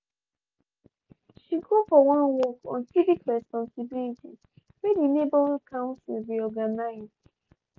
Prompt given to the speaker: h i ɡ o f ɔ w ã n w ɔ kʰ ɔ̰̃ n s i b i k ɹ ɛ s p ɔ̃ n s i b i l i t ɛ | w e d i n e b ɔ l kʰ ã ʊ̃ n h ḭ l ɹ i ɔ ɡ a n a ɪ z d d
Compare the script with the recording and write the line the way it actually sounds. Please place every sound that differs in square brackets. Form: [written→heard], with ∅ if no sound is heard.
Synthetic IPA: [h→ʃ] i ɡ o f ɔ w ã n w ɔ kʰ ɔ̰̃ n s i [b→v] i k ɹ ɛ s p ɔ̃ n s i b i l i t [ɛ→i] | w e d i n e b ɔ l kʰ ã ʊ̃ n [h→s] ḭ l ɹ i ɔ ɡ a n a ɪ z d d